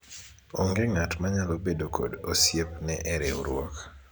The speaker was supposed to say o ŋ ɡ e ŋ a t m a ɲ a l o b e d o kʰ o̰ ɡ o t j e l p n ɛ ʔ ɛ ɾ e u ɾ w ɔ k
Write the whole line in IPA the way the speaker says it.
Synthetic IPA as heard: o ŋ ɡ e ŋ a t m a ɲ a l o b e d o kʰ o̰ d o s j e p n ɛ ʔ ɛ ɾ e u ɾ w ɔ k